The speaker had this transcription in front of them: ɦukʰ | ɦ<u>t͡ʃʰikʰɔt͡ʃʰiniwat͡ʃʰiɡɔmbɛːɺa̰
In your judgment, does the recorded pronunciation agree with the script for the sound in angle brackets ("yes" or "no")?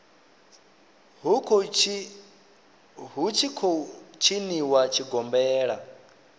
yes